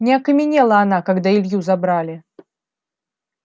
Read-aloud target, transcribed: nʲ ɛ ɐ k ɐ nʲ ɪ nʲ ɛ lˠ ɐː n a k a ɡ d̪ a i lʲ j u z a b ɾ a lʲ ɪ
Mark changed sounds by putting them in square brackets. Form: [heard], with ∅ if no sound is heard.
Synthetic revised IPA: nʲ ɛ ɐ k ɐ [mʲ] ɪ nʲ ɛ lˠ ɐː n a k a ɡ d̪ a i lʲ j u z a b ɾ a lʲ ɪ